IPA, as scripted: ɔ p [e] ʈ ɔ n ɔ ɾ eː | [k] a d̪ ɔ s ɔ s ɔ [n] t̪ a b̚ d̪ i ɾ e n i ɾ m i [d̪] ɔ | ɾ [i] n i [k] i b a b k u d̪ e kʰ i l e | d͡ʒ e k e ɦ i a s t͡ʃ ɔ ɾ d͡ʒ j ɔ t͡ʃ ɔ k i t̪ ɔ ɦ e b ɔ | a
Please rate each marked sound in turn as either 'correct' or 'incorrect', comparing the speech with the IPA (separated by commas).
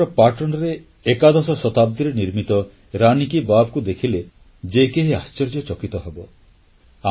incorrect, correct, incorrect, incorrect, incorrect, correct